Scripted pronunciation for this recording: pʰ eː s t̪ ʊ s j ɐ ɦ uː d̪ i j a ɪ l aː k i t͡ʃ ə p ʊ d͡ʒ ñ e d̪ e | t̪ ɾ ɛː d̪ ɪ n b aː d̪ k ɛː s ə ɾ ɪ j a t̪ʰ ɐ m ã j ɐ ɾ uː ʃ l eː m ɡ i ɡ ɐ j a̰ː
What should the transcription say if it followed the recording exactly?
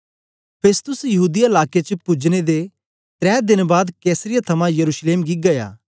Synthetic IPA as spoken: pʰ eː s t̪ ʊ s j ɐ ɦ uː d̪ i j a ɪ l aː k e t͡ʃ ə p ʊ d͡ʒ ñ e d̪ e | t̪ ɾ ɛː d̪ ɪ n b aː d̪ k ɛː s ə ɾ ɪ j a t̪ʰ ɐ m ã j ɐ ɾ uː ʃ l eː m ɡ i ɡ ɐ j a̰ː